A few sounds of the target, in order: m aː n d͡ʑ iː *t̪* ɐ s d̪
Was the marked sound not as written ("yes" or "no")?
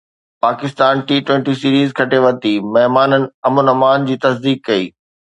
no